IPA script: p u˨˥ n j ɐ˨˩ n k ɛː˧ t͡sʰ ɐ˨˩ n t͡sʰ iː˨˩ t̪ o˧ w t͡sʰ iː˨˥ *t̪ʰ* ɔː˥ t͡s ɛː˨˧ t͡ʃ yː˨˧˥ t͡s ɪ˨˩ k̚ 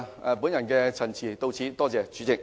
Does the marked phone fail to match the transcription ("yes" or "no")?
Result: yes